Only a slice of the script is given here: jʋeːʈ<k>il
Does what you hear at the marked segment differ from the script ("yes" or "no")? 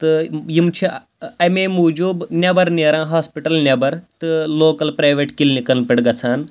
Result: no